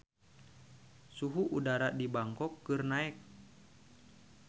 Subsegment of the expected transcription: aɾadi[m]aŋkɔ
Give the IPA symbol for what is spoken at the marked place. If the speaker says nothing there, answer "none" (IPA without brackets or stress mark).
b